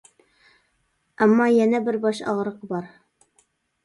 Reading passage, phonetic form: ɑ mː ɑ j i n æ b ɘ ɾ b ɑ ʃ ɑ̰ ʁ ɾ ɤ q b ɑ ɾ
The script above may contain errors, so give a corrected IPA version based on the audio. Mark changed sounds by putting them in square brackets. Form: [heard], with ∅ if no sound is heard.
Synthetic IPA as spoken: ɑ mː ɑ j [æ] n æ b ɘ ɾ b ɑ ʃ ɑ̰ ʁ ɾ ɤ q b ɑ ɾ